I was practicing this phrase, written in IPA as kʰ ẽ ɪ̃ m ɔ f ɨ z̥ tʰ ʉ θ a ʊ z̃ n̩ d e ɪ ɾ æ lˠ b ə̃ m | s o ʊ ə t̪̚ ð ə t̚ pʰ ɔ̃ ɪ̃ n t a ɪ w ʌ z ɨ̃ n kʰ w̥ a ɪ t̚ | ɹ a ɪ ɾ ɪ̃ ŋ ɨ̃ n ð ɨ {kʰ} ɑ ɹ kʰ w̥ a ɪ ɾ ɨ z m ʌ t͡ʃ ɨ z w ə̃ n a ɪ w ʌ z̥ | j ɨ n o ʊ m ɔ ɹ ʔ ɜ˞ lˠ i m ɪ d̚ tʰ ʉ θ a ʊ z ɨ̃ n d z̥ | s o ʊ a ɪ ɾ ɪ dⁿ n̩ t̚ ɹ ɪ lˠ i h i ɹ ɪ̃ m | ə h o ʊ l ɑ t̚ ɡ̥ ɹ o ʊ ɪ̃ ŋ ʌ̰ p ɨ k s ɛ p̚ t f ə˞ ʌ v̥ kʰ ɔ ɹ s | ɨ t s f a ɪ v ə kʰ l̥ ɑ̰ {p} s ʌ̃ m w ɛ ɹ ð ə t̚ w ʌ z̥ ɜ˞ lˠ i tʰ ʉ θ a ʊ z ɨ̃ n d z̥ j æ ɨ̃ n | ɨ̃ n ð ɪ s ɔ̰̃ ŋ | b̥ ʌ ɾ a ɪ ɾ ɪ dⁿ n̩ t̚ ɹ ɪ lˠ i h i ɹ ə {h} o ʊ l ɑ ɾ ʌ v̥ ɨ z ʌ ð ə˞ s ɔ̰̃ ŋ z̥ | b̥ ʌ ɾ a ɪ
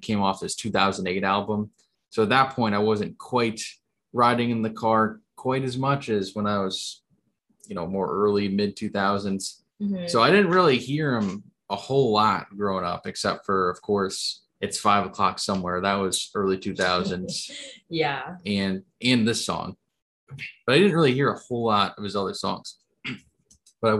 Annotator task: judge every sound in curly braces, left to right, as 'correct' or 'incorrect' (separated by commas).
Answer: correct, incorrect, correct